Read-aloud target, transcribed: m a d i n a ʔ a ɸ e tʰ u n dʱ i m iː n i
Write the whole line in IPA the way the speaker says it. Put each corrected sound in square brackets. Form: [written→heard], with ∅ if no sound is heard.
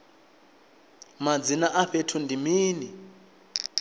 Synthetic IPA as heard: m a [d→d͡z] i n a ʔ a ɸ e tʰ u n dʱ i m iː n i

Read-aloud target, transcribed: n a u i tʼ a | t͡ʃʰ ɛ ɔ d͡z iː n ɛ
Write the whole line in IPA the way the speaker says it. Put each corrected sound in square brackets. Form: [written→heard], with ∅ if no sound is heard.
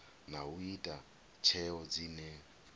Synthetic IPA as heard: n a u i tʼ a | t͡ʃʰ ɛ ɔ d͡z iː n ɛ

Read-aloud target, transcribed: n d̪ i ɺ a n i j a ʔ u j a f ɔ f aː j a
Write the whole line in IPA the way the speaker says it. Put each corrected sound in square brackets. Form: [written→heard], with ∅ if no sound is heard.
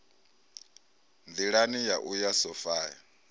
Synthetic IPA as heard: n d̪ i ɺ a n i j a ʔ u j a [f→s] ɔ f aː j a

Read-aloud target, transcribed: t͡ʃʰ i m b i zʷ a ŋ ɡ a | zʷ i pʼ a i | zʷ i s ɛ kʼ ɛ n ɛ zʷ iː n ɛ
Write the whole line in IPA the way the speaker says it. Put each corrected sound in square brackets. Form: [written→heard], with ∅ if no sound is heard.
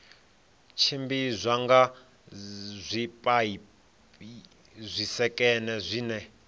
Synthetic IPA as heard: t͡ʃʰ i m b i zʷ a ŋ ɡ a | zʷ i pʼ a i | zʷ i s ɛ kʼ ɛ n ɛ zʷ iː n ɛ

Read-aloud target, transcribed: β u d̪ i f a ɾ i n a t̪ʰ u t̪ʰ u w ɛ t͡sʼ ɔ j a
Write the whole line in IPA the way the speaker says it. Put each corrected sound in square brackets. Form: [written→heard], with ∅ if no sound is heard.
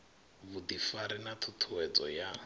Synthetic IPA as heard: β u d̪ i f a ɾ i n a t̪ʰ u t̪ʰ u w ɛ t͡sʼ ɔ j a

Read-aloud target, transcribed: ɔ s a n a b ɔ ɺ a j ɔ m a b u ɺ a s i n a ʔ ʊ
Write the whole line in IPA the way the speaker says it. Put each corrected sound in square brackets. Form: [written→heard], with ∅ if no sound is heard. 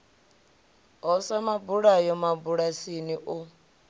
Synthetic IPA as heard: ɔ s a [n→m] a b [ɔ→u] ɺ a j ɔ m a b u ɺ a s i n [a→i] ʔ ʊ

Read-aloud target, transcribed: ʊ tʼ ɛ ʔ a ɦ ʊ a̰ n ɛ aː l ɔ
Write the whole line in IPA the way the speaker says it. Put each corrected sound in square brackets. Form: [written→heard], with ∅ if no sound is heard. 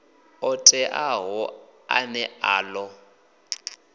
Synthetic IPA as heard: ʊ tʼ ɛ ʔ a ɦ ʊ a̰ n ɛ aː l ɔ

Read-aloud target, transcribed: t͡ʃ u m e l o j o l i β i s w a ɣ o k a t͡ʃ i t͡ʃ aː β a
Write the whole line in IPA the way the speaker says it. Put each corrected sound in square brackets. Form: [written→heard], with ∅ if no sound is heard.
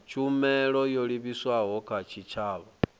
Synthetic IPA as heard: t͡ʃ u m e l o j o l i β i s w a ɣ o k a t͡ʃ i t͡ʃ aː β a

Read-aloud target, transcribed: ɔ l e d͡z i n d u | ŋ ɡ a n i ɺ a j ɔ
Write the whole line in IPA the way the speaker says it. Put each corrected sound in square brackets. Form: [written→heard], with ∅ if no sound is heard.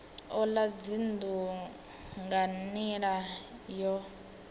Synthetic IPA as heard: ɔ l [e→a] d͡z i n d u | ŋ ɡ a n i ɺ a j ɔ

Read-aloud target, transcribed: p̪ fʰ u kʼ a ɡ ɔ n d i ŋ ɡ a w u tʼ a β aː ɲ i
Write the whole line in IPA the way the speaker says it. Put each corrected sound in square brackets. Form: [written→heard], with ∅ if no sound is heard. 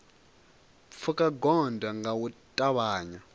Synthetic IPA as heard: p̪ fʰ u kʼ a ɡ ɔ n d [i→a] ŋ ɡ a w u tʼ a β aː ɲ [i→a]

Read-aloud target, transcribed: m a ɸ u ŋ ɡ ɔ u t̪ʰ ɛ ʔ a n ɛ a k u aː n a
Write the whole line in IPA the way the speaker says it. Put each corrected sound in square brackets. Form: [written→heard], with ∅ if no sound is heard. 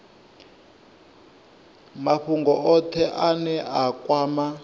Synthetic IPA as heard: m a ɸ u ŋ ɡ ɔ [u→ɔ] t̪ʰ ɛ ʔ a n ɛ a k [u→w] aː [n→m] a

